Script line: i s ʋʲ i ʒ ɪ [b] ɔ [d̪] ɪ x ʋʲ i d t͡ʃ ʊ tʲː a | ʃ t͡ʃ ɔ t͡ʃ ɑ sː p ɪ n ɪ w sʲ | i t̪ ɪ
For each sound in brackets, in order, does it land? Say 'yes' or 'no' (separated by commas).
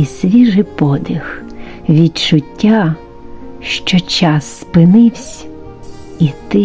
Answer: no, yes